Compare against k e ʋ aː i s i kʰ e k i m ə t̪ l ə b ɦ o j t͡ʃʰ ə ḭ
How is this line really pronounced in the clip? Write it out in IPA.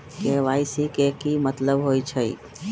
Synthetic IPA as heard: k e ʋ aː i s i k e k i m ə t̪ l ə b ɦ o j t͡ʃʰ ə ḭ